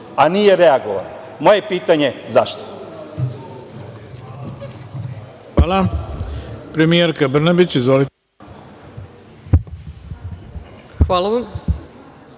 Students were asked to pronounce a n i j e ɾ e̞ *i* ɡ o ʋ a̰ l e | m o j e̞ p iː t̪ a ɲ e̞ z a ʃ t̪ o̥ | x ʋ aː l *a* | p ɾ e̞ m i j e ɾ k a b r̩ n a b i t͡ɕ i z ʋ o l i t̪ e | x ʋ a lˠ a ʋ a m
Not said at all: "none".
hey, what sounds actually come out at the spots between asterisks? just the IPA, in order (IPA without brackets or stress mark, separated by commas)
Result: a, a